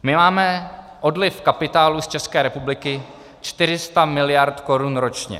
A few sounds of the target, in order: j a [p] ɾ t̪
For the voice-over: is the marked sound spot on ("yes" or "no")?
no